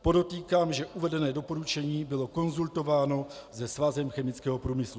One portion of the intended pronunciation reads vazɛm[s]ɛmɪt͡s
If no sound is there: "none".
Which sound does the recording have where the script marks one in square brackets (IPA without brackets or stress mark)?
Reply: x